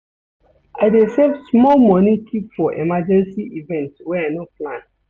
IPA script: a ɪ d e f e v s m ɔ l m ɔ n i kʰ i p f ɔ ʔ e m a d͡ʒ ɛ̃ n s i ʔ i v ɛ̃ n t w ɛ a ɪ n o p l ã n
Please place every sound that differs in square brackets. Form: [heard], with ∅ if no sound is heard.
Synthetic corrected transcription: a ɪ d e [s] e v s m ɔ l m ɔ n i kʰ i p f ɔ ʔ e m a d͡ʒ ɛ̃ n s i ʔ i v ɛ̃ n t w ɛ a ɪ n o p l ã n